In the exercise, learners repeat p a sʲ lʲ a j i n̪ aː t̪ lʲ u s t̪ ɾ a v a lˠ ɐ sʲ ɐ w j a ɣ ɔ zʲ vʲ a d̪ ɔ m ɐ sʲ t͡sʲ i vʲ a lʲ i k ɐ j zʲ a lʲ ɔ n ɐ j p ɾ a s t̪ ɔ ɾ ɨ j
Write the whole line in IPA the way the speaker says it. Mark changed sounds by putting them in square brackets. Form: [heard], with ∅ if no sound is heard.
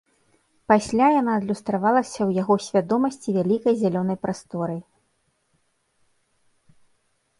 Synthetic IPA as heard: p a sʲ lʲ a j [a] n̪ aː [d̪] lʲ u s t̪ ɾ a v a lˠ ɐ sʲ ɐ w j a ɣ ɔ [sʲ] vʲ a d̪ ɔ m ɐ sʲ t͡sʲ i vʲ a lʲ i k ɐ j zʲ a lʲ ɔ n ɐ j p ɾ a s t̪ ɔ ɾ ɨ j